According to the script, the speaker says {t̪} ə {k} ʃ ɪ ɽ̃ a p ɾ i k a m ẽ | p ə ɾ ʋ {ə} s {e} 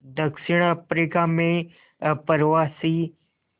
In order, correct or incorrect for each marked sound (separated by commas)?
incorrect, correct, incorrect, incorrect